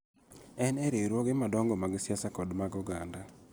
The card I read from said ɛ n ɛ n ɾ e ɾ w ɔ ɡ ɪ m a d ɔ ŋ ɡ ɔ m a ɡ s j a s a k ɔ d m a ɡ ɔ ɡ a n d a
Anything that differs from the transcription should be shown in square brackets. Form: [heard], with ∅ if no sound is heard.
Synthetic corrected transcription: ɛ n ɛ [∅] ɾ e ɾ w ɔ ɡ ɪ m a d ɔ ŋ ɡ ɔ m a ɡ s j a s a k ɔ d m a ɡ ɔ ɡ a n d a